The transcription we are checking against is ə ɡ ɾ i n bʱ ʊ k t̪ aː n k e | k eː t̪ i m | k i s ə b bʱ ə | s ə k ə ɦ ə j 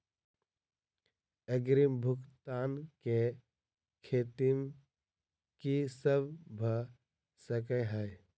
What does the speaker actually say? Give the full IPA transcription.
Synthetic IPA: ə ɡ ɾ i m bʱ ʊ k t̪ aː n k e | kʰ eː t̪ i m | k i s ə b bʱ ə | s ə k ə ɦ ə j